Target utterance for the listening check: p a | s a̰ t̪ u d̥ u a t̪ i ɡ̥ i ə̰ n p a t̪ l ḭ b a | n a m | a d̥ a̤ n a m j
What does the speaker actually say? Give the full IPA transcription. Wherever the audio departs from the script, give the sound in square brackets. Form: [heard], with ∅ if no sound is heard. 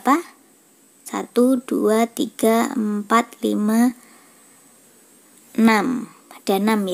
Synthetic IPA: p a | s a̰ t̪ u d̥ u a t̪ i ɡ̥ [a] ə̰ [m] p a t̪ l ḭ [m] a | n a m | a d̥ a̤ n a m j